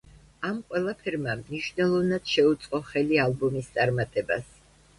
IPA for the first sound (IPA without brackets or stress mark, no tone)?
a